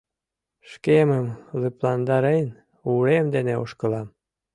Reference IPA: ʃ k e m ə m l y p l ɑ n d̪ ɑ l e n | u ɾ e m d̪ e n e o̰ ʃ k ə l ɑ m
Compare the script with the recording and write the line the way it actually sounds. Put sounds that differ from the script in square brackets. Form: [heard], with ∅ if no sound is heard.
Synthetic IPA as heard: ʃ k e m ə m l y p l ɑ n d̪ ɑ [ɾ] e n | u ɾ e m d̪ e n e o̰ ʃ k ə l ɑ m